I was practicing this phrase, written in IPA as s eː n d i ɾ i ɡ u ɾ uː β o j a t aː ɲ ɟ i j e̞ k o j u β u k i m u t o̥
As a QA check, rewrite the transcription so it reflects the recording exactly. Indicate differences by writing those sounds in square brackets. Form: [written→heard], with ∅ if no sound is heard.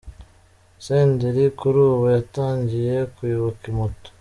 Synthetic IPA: s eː n d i ɾ i [ɡ→k] u ɾ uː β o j a t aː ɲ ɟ i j e̞ k [o→u] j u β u k i m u t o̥